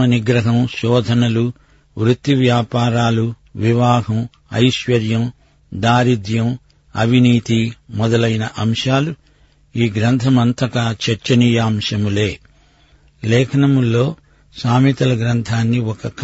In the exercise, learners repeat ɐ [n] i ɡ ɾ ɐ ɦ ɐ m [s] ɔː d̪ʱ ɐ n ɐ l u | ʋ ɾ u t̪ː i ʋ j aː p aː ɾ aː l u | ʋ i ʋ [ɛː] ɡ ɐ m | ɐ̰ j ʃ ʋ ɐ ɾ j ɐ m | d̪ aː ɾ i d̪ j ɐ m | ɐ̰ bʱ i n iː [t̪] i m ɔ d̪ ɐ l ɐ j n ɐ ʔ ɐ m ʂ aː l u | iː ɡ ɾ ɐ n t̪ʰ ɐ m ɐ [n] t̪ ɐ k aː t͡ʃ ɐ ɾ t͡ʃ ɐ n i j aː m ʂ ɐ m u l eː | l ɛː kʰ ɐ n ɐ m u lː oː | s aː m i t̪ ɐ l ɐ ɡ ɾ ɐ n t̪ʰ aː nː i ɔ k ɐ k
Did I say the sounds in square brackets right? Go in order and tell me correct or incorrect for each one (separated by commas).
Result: correct, incorrect, incorrect, correct, correct